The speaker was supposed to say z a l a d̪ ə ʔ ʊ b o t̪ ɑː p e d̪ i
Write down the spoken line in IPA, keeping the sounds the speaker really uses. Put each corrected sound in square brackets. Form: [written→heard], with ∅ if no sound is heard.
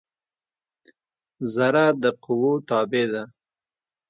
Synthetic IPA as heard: z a [l→ɾ] a d̪ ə [ʔ→q] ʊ [b→w] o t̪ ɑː [p→b] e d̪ [i→a]